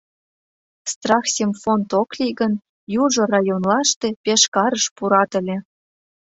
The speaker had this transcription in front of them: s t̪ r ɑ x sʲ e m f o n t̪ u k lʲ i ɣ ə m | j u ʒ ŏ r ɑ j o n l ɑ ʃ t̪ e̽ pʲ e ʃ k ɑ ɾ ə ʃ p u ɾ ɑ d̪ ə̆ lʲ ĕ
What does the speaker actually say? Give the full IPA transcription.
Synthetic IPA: s t̪ r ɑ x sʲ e m f o n t̪ o k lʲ i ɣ ə n | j u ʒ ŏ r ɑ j o n l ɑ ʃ t̪ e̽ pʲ e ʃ k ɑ ɾ ə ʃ p u ɾ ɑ t̪ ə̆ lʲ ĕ